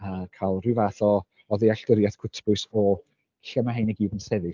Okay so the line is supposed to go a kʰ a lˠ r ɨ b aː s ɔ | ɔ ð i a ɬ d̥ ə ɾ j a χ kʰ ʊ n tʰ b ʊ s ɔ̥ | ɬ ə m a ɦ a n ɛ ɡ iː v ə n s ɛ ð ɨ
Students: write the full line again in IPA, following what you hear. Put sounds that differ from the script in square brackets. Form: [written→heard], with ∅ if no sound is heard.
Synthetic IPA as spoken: a kʰ a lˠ r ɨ [b→v] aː [s→θ] ɔ | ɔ ð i a ɬ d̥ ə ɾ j a [χ→θ] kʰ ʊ [n→∅] tʰ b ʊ s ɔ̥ | ɬ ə m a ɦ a n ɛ ɡ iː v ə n s ɛ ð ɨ

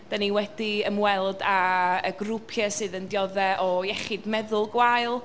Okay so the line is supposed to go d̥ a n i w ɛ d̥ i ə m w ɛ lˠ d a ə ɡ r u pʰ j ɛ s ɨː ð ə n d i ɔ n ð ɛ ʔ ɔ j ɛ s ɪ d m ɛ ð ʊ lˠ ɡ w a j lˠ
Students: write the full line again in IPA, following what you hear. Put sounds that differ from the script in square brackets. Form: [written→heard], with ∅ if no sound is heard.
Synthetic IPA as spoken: d̥ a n i w ɛ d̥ i ə m w ɛ lˠ d a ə ɡ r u pʰ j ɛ s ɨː ð ə n d [i→j] ɔ [n→∅] ð ɛ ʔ ɔ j ɛ [s→χ] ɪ d m ɛ ð ʊ lˠ ɡ w a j lˠ

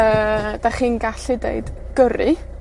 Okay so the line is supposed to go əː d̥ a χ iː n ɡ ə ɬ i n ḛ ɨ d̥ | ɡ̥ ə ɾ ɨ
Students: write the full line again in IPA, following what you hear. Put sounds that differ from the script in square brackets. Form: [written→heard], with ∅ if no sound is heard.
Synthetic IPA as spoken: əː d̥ a χ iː n ɡ [ə→a] ɬ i [n→d] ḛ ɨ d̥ | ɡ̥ ə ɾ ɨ

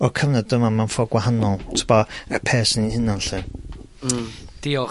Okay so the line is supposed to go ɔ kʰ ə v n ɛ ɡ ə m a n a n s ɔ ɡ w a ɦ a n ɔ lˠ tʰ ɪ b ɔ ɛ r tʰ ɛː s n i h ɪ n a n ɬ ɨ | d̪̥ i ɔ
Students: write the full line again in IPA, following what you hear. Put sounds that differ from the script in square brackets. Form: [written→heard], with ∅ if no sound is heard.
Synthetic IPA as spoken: ɔ kʰ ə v n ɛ [ɡ→d] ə m a [n→m] a n [s→f] ɔ ɡ w a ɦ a n ɔ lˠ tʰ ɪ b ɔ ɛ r [tʰ→pʰ] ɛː s n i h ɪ n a n ɬ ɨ | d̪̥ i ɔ

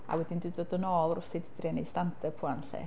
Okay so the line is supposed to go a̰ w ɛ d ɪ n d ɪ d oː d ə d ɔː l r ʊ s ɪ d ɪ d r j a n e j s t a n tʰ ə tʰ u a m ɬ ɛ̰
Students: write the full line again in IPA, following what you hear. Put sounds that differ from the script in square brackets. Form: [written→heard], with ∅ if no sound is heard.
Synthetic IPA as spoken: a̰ w ɛ d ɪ n d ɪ d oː d ə [d→n] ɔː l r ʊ s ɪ d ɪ d r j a n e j s t a n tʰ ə [tʰ→pʰ] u a [m→n] ɬ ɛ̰

